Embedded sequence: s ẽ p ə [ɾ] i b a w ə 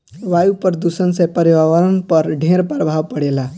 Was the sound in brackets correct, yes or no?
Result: yes